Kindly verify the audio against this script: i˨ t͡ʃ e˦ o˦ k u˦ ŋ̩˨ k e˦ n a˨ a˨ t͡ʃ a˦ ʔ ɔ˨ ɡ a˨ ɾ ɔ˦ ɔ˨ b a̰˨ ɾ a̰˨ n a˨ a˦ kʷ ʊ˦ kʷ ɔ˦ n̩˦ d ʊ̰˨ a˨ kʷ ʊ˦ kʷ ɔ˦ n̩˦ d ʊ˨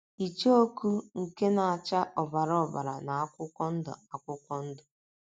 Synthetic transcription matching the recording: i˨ t͡ʃ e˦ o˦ k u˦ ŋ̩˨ k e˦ n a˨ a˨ t͡ʃ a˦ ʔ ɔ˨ b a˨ ɾ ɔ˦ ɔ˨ b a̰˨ ɾ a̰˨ n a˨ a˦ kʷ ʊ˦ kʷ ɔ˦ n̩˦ d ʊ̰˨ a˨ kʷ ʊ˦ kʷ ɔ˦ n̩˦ d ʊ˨